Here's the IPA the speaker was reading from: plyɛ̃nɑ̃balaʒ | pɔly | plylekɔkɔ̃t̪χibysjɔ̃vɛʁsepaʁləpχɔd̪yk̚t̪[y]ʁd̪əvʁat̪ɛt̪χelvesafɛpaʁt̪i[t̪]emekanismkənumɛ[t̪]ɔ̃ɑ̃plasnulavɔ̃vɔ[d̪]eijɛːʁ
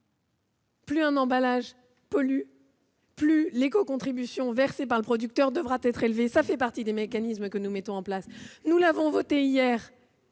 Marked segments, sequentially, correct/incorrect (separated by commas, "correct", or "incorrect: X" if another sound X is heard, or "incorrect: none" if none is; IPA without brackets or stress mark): incorrect: œ, incorrect: d̪, correct, incorrect: t̪